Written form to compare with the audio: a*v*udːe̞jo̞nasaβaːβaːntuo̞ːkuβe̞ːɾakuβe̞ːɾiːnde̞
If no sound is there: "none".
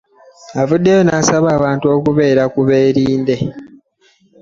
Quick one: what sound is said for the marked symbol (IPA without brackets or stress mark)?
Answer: v